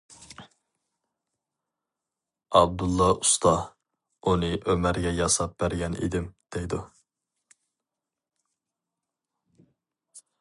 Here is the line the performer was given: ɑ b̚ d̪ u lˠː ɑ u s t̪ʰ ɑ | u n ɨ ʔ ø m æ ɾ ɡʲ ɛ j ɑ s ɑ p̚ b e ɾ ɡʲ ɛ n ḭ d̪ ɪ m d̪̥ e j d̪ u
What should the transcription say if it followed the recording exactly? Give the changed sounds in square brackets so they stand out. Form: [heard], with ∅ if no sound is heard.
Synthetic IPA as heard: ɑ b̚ d̪ u lˠː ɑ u s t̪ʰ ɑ | u n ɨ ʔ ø m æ ɾ ɡʲ ɛ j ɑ s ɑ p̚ b [æ] ɾ ɡʲ ɛ n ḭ d̪ ɪ m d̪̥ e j d̪ u